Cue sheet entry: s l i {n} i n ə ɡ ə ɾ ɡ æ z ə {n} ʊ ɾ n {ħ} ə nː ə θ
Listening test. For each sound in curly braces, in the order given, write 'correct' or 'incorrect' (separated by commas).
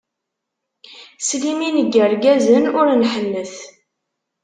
incorrect, correct, correct